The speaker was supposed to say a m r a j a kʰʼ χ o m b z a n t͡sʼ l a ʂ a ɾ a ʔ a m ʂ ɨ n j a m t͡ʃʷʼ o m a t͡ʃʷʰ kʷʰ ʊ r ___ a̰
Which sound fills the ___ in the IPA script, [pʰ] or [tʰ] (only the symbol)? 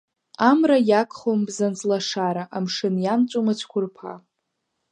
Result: pʰ